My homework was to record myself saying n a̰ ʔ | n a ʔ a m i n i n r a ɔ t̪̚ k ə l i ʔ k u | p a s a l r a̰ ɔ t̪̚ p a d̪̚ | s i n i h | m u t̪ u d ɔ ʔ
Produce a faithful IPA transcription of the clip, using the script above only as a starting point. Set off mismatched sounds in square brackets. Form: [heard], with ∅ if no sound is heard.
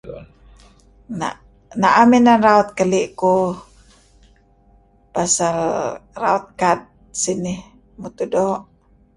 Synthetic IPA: n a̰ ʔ | n a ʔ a m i n [a] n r a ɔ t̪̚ k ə l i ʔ k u | p a s a l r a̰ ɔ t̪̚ [k] a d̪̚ | s i n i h | m u t̪ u d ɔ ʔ